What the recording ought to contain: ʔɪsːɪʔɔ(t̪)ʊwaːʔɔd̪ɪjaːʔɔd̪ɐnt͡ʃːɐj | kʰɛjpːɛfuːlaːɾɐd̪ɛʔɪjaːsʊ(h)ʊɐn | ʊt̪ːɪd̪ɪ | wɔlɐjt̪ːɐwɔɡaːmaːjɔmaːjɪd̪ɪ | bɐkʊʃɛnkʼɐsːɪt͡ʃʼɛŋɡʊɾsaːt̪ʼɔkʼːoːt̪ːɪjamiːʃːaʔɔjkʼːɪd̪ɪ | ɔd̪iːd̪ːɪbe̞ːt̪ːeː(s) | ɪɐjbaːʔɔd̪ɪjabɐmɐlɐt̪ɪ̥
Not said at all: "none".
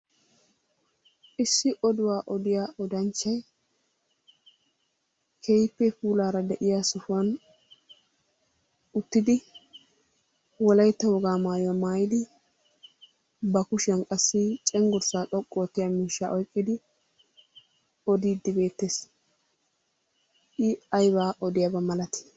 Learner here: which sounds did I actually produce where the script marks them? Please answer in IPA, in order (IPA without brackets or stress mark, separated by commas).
d̪, f, s